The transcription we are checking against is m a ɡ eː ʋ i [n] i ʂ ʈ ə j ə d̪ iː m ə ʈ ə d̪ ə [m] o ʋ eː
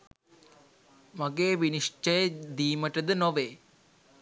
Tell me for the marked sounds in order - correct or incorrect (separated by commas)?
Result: correct, incorrect